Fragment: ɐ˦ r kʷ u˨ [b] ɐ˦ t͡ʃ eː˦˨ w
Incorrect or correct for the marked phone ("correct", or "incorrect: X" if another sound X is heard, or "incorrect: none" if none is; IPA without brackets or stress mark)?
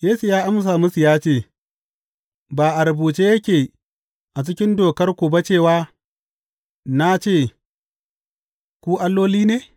correct